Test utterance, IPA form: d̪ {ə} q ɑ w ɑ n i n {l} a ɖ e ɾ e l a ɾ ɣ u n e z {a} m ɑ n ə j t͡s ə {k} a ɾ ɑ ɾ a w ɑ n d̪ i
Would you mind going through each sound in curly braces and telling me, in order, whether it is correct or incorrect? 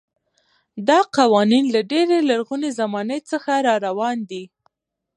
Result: incorrect, correct, correct, incorrect

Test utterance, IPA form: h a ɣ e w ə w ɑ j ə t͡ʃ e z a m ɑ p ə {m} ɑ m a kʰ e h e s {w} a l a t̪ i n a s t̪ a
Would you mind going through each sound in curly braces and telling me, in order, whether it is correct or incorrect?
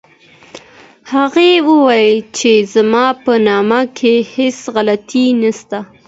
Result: incorrect, incorrect

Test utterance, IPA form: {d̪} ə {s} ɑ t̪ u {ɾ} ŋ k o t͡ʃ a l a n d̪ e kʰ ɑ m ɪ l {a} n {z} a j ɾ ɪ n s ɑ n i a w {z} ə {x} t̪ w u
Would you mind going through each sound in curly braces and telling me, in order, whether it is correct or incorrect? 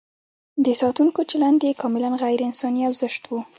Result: correct, correct, incorrect, correct, incorrect, correct, incorrect

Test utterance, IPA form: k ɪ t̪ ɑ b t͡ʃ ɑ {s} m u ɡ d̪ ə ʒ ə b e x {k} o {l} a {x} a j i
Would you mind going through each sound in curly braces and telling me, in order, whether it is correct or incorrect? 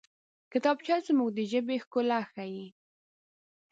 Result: incorrect, correct, correct, correct

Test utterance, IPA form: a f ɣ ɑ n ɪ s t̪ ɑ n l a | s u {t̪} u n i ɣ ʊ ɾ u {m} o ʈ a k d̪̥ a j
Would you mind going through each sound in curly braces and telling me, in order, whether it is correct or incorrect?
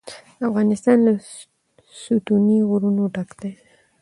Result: correct, incorrect

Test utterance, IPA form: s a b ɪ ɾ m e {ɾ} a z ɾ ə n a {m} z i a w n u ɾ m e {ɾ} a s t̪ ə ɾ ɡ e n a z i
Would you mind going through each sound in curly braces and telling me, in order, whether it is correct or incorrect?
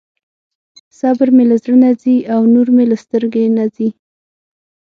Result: incorrect, incorrect, incorrect

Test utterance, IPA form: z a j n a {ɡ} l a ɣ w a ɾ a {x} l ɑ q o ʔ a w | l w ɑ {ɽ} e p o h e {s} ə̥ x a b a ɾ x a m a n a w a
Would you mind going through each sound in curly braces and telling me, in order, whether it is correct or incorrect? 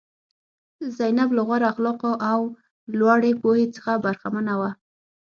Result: incorrect, correct, correct, incorrect

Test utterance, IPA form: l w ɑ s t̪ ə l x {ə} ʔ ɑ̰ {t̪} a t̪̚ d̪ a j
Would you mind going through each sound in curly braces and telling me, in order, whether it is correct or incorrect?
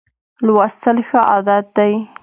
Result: correct, incorrect

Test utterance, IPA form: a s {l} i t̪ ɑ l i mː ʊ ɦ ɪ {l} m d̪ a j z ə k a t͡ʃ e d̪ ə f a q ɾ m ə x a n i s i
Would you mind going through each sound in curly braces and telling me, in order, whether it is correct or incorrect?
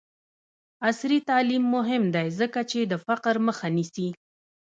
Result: incorrect, incorrect

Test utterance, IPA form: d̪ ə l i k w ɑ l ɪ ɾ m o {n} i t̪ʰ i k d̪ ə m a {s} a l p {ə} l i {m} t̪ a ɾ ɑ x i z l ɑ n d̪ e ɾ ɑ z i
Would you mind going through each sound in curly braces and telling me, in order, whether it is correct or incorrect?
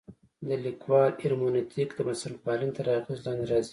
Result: correct, correct, incorrect, incorrect

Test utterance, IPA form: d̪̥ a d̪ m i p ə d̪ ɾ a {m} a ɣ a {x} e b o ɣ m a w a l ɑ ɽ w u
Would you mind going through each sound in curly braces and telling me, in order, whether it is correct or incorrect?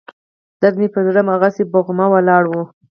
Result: correct, incorrect

